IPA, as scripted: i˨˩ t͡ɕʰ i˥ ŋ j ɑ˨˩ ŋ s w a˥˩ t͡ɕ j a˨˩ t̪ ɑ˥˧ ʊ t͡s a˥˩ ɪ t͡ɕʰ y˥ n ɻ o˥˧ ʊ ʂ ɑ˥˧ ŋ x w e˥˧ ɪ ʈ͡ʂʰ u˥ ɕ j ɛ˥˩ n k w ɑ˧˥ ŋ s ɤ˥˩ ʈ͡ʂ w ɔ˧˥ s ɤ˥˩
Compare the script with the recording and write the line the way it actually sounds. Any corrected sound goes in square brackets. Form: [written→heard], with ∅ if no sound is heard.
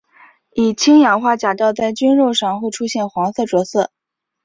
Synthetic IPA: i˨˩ t͡ɕʰ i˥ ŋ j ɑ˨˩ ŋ [s→x] w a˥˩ t͡ɕ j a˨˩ t̪ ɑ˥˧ ʊ t͡s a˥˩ ɪ [t͡ɕʰ→t͡ɕ] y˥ n ɻ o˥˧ ʊ ʂ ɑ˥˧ ŋ x w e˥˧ ɪ ʈ͡ʂʰ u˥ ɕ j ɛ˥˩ n [k→x] w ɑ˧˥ ŋ s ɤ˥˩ ʈ͡ʂ w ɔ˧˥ s ɤ˥˩